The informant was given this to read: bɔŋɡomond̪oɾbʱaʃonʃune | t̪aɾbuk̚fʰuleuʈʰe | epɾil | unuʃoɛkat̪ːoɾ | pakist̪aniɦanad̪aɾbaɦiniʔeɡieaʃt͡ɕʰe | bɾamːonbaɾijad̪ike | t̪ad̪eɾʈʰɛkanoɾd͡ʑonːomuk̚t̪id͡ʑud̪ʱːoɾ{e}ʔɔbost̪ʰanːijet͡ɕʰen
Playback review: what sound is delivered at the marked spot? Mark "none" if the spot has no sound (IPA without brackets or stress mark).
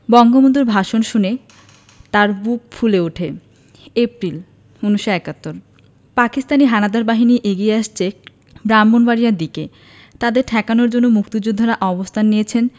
a